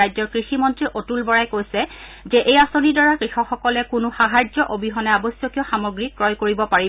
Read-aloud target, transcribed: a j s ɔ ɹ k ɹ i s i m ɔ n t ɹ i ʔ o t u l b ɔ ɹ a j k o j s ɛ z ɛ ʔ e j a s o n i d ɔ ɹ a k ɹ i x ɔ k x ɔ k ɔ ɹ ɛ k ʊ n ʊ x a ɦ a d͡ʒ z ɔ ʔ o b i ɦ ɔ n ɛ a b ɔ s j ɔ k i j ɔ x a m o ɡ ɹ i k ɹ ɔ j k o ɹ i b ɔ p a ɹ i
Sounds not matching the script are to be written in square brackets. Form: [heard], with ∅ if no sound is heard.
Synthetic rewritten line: a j [z] ɔ ɹ k ɹ i [x] i m ɔ n t ɹ i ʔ o t u l b ɔ ɹ a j k o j s ɛ z ɛ ʔ e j a s o n i d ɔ ɹ a k ɹ i x ɔ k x ɔ k ɔ [l] ɛ k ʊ n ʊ x a ɦ a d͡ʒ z ɔ ʔ o b i ɦ ɔ n ɛ a b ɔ s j ɔ k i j ɔ x a m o ɡ ɹ i k ɹ ɔ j k o ɹ i b ɔ p a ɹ i

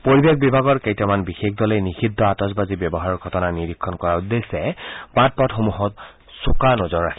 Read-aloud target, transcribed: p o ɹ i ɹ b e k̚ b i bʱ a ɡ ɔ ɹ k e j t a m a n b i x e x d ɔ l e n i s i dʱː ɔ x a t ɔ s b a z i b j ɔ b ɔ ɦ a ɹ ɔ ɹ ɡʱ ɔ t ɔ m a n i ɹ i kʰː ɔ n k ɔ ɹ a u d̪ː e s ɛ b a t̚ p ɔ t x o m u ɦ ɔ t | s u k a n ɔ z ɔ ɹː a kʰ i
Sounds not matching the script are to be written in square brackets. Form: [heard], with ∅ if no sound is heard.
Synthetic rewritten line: p o ɹ i [∅] b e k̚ b i bʱ a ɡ ɔ ɹ k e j t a m a n b i x e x d ɔ l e n i [x] i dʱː ɔ [∅] a t ɔ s b a z i b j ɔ b ɔ ɦ a ɹ ɔ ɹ ɡʱ ɔ t ɔ [n] a n i ɹ i kʰː ɔ n k ɔ ɹ a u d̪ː e s ɛ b a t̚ p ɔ t x o m u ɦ ɔ t | s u k a n ɔ z ɔ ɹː a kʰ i

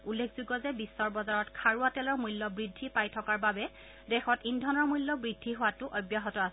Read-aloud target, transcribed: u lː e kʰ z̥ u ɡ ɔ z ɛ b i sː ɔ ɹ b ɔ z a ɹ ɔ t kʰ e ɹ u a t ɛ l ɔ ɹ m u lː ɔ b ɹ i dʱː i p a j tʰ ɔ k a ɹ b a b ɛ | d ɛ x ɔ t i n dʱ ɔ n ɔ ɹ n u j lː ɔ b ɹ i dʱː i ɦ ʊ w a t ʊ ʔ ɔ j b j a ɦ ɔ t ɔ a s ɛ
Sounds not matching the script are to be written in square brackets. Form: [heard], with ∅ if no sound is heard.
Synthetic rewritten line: u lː e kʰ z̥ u ɡ ɔ z ɛ b i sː ɔ ɹ b ɔ z a ɹ ɔ t kʰ [a] ɹ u a t ɛ l ɔ ɹ m u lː ɔ b ɹ i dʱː i p a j tʰ ɔ k a ɹ b a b ɛ | d ɛ x ɔ t i n dʱ ɔ n ɔ ɹ [m] u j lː ɔ b ɹ i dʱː i ɦ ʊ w a t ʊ ʔ ɔ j b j a ɦ ɔ t ɔ a s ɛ

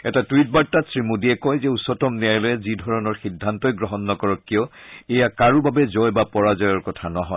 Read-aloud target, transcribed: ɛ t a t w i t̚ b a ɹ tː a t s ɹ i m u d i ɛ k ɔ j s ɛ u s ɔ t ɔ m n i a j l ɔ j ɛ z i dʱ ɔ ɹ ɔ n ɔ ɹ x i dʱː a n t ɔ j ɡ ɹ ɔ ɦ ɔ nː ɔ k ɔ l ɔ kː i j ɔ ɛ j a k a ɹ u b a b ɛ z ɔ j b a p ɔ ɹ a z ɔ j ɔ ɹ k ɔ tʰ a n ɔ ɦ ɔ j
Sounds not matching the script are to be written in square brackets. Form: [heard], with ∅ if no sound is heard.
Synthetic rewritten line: ɛ t a t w i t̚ b a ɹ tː a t s ɹ i m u d i ɛ k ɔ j [z] ɛ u s ɔ t ɔ m n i a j l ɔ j ɛ z i dʱ ɔ ɹ ɔ n ɔ ɹ x i dʱː a n t ɔ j ɡ ɹ ɔ ɦ ɔ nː ɔ k ɔ [ɹ] ɔ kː i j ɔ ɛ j a k a ɹ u b a b ɛ z ɔ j b a p ɔ ɹ a z ɔ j ɔ ɹ k ɔ tʰ a n ɔ ɦ ɔ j

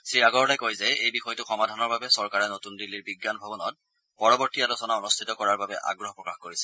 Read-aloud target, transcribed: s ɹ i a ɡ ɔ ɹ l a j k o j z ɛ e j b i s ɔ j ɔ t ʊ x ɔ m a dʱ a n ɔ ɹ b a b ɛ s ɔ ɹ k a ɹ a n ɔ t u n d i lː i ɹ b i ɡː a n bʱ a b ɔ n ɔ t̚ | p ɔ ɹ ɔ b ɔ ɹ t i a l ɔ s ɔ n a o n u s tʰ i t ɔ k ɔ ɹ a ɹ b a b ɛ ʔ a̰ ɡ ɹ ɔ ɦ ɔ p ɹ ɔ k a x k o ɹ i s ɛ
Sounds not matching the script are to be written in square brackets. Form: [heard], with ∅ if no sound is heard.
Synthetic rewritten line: s ɹ i a ɡ ɔ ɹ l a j k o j z ɛ e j b i [x] ɔ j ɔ t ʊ x ɔ m a dʱ a n ɔ ɹ b a b ɛ s ɔ ɹ k a ɹ [ɛ] n [o] t u n d i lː i ɹ b i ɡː a n bʱ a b ɔ n ɔ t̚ | p ɔ ɹ ɔ b ɔ ɹ t i a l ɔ s ɔ n a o n u s tʰ i t ɔ k ɔ ɹ a ɹ b a b ɛ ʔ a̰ ɡ ɹ ɔ ɦ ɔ p ɹ ɔ k a x k o ɹ i s ɛ

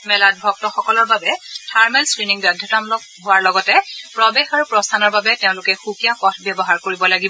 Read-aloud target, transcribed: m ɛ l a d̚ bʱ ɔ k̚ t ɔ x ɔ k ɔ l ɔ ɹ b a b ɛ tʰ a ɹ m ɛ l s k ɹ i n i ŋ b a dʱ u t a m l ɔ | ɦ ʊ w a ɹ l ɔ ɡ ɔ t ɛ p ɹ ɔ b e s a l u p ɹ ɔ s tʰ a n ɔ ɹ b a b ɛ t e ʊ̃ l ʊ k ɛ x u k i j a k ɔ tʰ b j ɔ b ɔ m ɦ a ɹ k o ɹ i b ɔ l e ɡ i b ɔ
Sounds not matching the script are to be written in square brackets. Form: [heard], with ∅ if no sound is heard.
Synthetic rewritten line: m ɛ l a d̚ bʱ ɔ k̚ t ɔ x ɔ k ɔ l ɔ ɹ b a b ɛ tʰ a ɹ m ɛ l s k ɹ i n i ŋ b a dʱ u t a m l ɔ | ɦ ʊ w a ɹ l ɔ ɡ ɔ t ɛ p ɹ ɔ b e [x] a [ɹ] u p ɹ ɔ s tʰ a n ɔ ɹ b a b ɛ t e ʊ̃ l ʊ k ɛ x u k i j a k ɔ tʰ b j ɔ b ɔ [∅] ɦ a ɹ k o ɹ i b ɔ l [a] ɡ i b ɔ

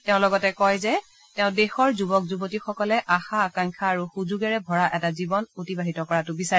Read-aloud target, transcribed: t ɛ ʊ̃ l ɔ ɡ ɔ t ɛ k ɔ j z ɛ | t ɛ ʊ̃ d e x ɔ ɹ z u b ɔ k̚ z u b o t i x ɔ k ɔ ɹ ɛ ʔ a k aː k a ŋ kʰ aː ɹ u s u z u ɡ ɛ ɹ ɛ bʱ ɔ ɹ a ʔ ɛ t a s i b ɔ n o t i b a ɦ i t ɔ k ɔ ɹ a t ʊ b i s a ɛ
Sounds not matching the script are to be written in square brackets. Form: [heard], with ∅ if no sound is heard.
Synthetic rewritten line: t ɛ ʊ̃ l ɔ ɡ ɔ t ɛ k ɔ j z ɛ | t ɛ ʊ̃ d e x ɔ ɹ z u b ɔ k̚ z u b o t i x ɔ k ɔ [l] ɛ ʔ a [x] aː k a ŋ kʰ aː ɹ u [x] u z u ɡ ɛ ɹ ɛ bʱ ɔ ɹ a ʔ ɛ t a [z] i b ɔ n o t i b a ɦ i t ɔ k ɔ ɹ a t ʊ b i s a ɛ

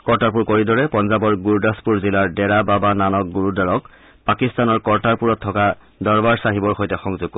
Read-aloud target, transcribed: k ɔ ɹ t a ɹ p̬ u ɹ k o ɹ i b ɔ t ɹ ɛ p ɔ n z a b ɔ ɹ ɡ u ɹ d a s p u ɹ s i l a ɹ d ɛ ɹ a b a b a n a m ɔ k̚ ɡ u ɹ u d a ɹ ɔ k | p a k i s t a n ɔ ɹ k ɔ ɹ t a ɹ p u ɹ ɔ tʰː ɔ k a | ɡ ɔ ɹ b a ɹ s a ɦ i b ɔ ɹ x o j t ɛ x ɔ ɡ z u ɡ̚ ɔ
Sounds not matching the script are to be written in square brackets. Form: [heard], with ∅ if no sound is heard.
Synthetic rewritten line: k ɔ ɹ t a ɹ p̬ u ɹ k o ɹ i [d] ɔ [∅] ɹ ɛ p ɔ n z a b ɔ ɹ ɡ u ɹ d a s p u ɹ [z] i l a ɹ d ɛ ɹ a b a b a n a [n] ɔ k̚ ɡ u ɹ u d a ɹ ɔ k | p a k i s t a n ɔ ɹ k ɔ ɹ t a ɹ p u ɹ ɔ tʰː ɔ k a | [d] ɔ ɹ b a ɹ s a ɦ i b ɔ ɹ x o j t ɛ x ɔ [ŋ] z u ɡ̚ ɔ

